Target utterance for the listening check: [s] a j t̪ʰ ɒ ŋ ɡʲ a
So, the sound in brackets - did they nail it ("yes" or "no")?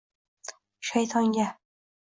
no